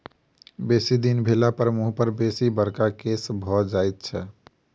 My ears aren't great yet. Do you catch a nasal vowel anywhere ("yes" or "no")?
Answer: no